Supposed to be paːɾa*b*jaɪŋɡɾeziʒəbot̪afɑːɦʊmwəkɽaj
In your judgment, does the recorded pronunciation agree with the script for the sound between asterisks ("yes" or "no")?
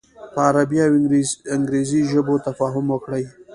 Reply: yes